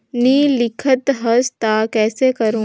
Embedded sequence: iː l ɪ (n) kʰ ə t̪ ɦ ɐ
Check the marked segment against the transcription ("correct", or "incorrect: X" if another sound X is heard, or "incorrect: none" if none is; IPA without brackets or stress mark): incorrect: none